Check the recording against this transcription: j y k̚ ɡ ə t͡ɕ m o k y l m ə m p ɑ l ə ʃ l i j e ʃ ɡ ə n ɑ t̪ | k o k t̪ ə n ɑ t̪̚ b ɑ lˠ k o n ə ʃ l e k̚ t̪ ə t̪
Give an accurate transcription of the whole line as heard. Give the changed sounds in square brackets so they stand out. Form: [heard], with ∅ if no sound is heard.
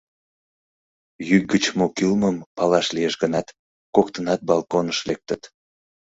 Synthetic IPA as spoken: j y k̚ ɡ ə t͡ɕ m o k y l m ə m p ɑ l [ɑ] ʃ l i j e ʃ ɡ ə n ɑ t̪ | k o k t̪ ə n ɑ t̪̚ b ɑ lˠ k o n ə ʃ l e k̚ t̪ ə t̪